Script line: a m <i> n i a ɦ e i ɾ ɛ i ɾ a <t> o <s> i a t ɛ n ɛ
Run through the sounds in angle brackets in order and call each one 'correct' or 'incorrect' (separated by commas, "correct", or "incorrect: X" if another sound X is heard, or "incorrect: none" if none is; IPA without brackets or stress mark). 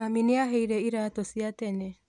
correct, correct, correct